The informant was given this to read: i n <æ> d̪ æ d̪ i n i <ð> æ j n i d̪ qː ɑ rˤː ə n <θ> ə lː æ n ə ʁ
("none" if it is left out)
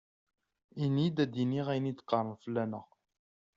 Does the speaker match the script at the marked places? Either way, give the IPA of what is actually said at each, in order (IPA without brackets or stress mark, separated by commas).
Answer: i, ʁ, f